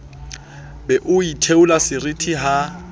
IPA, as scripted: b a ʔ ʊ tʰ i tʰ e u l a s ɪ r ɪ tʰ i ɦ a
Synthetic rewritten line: b ɛ ʔ ʊ i tʰ e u l a s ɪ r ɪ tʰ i ɦ a